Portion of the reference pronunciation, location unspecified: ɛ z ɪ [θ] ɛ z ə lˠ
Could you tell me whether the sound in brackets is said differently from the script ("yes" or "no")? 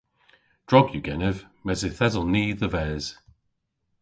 no